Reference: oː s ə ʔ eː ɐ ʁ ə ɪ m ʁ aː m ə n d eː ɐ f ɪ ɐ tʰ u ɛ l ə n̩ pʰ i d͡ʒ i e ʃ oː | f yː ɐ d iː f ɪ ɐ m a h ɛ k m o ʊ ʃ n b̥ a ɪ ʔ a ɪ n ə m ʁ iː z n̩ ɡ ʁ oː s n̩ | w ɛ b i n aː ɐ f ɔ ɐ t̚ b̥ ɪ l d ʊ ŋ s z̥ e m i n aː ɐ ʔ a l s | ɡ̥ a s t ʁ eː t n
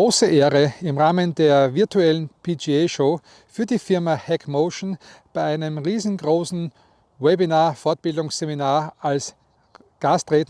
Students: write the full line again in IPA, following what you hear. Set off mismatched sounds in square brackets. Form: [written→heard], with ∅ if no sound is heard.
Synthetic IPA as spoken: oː s ə ʔ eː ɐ ʁ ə ɪ m ʁ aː m ə n d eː ɐ [f→v] ɪ ɐ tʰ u ɛ l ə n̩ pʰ i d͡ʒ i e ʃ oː | f yː ɐ d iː f ɪ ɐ m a h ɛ k m o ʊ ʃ n b̥ a ɪ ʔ a ɪ n ə m ʁ iː z n̩ ɡ ʁ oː s n̩ | w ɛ b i n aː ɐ f ɔ ɐ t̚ b̥ ɪ l d ʊ ŋ s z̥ e m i n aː ɐ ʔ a l s | ɡ̥ a s t ʁ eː t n